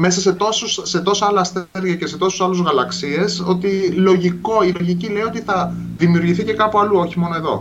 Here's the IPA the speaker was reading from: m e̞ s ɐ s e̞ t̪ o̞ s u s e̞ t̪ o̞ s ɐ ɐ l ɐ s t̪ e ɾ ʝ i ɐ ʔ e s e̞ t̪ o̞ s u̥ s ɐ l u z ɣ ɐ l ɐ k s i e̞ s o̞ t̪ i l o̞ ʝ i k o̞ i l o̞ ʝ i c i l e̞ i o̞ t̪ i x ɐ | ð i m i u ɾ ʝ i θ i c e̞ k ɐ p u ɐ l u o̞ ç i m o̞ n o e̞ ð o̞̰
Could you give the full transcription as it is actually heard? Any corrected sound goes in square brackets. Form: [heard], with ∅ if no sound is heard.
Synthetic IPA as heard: m e̞ s ɐ s e̞ t̪ o̞ s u s e̞ t̪ o̞ s ɐ ɐ l ɐ s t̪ e ɾ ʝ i ɐ [c] e s e̞ t̪ o̞ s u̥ s ɐ l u z ɣ ɐ l ɐ k s i e̞ s o̞ t̪ i l o̞ ʝ i k o̞ i l o̞ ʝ i c i l e̞ i o̞ t̪ i [θ] ɐ | ð i m i u ɾ ʝ i θ i c e̞ k ɐ p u ɐ l u o̞ ç i m o̞ n o e̞ ð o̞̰